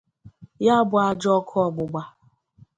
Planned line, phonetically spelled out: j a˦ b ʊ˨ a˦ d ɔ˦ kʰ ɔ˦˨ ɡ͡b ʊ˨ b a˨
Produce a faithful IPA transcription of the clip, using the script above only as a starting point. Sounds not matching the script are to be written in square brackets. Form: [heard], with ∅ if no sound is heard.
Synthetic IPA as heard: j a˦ b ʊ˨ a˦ [d͡ʒ] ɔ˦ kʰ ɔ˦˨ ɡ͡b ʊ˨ [ɡ͡b] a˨